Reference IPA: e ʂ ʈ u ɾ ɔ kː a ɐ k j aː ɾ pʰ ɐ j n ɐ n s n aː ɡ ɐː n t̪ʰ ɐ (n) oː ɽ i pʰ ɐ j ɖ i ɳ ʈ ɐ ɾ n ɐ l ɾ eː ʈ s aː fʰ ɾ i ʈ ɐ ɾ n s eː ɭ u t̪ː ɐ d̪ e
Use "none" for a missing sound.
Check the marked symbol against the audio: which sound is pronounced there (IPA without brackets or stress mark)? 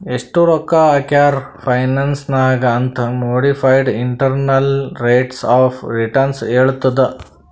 m